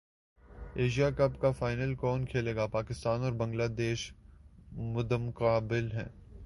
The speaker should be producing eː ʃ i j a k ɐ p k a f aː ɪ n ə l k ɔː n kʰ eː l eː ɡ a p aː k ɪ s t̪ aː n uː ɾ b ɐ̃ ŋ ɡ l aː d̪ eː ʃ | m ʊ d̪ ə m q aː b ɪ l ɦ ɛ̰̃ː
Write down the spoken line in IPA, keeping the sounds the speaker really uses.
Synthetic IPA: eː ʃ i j a k ɐ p k a f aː ɪ n ə l k ɔː n kʰ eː l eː ɡ a p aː k ɪ s t̪ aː n ɔː ɾ b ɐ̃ ŋ ɡ l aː d̪ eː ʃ | m ʊ d̪ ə m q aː b ɪ l ɦ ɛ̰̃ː